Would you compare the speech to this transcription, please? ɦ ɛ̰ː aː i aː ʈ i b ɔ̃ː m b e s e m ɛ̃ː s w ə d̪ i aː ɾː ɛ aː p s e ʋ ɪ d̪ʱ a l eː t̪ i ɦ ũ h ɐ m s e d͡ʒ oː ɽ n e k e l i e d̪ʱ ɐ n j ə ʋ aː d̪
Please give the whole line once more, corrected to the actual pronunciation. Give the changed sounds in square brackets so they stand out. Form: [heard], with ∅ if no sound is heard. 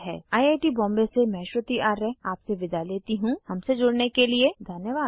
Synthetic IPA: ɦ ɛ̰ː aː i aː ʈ i b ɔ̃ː m b e s e m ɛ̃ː [ʃ] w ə [t̪] i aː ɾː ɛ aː p s e ʋ ɪ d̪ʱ a l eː t̪ i ɦ ũ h ɐ m s e d͡ʒ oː ɽ n e k e l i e d̪ʱ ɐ n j ə ʋ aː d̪